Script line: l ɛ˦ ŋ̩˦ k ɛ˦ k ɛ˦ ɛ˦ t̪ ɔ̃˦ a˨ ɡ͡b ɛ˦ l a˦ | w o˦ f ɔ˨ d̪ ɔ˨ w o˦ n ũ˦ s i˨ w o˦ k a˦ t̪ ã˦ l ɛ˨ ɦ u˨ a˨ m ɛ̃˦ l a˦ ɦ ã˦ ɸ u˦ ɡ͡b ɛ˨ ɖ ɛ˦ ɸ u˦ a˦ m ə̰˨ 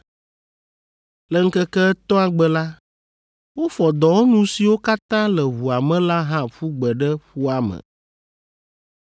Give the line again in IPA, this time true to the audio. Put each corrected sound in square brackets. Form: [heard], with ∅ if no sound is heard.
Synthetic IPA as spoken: l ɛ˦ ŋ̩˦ k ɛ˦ k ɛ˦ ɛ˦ t̪ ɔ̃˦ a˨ ɡ͡b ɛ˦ l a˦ | w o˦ f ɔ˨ d̪ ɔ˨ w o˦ n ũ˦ s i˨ w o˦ k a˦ t̪ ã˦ l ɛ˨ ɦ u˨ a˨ m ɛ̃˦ l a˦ ɦ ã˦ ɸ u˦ ɡ͡b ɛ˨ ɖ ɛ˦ ɸ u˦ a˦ m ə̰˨